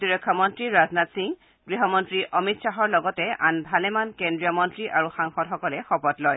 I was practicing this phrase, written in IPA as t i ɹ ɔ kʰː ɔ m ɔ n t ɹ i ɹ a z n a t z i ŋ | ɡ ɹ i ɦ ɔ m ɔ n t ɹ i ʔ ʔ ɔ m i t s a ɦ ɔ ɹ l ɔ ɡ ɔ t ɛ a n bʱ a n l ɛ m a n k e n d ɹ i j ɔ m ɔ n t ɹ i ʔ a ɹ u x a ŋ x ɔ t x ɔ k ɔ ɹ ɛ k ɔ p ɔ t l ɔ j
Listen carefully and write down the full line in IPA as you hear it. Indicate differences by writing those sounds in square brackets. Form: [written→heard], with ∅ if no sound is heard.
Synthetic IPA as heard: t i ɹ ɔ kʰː ɔ m ɔ n t ɹ i ɹ a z n a t [z→s] i ŋ | ɡ ɹ i ɦ ɔ m ɔ n t ɹ i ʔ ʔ ɔ m i t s a ɦ ɔ ɹ l ɔ ɡ ɔ t ɛ a n bʱ a [n→∅] l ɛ m a n k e n d ɹ i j ɔ m ɔ n t ɹ i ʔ a ɹ u x a ŋ x ɔ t x ɔ k ɔ [ɹ→l] ɛ [k→x] ɔ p ɔ t l ɔ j